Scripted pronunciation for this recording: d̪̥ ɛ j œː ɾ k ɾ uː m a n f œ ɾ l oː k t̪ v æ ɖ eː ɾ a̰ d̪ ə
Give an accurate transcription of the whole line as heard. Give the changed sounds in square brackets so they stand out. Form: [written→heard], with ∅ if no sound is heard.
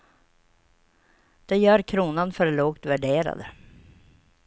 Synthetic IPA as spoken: d̪̥ ɛ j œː ɾ [k→kʰ] ɾ uː [m→n] a n f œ ɾ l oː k t̪ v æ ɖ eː ɾ a̰ d̪ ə